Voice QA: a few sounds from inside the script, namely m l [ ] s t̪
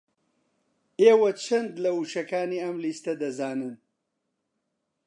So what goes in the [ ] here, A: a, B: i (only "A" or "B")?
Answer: B